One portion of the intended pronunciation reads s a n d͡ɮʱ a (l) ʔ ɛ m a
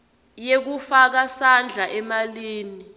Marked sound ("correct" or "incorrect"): incorrect